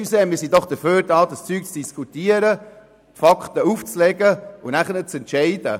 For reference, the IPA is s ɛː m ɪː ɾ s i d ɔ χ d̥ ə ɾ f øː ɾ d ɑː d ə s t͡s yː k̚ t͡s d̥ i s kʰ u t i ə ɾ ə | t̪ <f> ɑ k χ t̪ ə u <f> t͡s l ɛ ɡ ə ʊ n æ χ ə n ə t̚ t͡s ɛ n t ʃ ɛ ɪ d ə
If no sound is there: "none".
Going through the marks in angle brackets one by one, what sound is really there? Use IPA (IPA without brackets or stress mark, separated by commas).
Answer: f, f